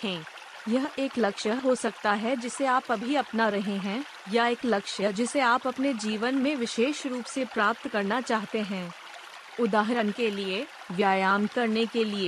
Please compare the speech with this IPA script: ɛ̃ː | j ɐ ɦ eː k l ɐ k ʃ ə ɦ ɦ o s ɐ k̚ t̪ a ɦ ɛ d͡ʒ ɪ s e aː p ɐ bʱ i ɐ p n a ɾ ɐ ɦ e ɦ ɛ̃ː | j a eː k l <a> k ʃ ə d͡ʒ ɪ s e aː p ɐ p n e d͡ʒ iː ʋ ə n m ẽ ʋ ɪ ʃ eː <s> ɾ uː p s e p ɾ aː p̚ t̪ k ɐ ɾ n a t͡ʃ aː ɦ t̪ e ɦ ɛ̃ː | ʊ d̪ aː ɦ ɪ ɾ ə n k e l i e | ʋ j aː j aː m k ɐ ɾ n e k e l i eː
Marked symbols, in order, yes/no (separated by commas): no, no